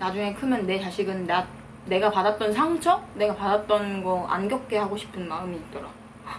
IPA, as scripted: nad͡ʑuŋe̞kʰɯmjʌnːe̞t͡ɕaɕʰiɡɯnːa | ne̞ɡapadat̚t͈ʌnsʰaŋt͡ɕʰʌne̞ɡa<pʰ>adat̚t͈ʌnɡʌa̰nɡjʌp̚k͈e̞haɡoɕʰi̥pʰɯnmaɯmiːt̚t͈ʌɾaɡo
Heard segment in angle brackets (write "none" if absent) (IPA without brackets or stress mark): p